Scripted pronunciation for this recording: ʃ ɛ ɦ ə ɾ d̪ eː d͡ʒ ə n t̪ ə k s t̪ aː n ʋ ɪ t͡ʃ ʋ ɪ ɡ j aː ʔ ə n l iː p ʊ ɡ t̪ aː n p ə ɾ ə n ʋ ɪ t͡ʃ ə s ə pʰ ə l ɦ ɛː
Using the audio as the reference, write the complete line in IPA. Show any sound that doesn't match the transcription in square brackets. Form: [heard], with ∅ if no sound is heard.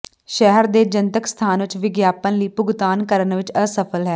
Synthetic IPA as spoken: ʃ ɛ ɦ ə ɾ d̪ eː d͡ʒ ə n t̪ ə k s [t̪ʰ] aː n ʋ ɪ t͡ʃ ʋ ɪ ɡ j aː [p] ə n l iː p ʊ ɡ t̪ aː n [k] ə ɾ ə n ʋ ɪ t͡ʃ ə s ə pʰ ə l ɦ ɛː